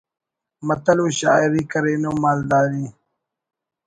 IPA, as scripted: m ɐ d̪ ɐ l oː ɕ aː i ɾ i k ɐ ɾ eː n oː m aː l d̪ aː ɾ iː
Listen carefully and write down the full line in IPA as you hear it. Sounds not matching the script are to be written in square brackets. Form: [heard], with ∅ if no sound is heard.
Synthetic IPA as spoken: m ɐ [t̪] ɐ l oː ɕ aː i ɾ i k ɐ ɾ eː n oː m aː l d̪ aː ɾ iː